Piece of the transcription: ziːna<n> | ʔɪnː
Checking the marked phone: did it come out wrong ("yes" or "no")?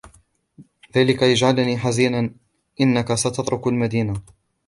no